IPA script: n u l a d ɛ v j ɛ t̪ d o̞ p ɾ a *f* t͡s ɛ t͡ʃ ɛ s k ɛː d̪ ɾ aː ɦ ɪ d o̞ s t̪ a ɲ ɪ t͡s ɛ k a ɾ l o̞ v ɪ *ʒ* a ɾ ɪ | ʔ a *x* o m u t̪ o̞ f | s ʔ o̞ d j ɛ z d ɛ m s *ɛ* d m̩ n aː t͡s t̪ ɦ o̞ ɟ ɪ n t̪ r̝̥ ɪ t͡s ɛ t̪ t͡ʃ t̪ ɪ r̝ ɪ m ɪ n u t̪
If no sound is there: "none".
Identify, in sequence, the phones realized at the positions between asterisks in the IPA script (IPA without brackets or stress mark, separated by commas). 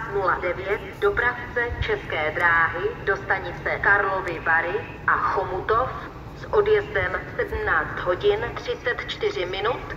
f, v, x, ɛ